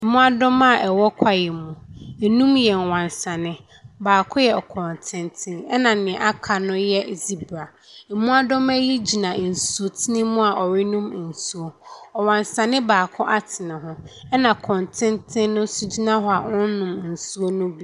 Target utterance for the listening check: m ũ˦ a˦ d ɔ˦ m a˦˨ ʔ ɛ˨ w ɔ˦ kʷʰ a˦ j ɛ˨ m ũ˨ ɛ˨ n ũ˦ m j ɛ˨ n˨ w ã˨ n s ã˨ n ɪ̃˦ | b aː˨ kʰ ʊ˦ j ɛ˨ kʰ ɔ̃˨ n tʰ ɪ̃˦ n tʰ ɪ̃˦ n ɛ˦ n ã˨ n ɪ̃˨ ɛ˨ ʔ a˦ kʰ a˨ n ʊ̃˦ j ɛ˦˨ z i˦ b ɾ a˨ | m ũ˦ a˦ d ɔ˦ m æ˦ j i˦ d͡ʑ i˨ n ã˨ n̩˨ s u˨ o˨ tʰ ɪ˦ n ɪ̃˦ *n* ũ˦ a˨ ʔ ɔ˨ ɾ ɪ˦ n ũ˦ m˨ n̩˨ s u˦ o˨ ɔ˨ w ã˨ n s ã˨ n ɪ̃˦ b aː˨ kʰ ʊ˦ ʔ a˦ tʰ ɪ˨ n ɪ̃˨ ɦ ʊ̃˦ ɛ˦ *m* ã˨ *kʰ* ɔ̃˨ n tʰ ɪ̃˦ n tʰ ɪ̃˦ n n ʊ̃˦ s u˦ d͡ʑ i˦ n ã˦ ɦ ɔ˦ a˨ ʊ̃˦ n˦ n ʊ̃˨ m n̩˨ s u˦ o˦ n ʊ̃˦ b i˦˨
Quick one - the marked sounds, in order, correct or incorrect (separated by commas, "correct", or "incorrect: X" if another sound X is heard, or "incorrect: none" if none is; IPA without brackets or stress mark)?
incorrect: m, incorrect: n, correct